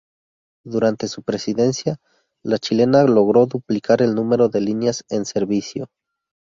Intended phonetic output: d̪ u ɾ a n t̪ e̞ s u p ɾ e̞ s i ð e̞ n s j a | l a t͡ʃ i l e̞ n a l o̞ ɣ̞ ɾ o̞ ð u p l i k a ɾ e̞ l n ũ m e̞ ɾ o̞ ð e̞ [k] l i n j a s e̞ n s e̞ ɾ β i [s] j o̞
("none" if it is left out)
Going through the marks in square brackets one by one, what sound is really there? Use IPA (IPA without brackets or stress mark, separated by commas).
none, s